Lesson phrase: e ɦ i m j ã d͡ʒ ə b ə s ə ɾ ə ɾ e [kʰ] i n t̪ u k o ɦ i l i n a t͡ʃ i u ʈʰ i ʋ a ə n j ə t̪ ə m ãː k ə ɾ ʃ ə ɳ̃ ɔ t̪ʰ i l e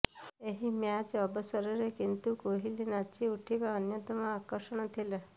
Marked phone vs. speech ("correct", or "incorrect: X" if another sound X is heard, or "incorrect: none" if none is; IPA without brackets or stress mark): incorrect: k